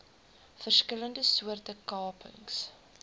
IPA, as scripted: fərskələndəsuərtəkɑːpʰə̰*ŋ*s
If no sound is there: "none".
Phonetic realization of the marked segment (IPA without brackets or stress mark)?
ŋ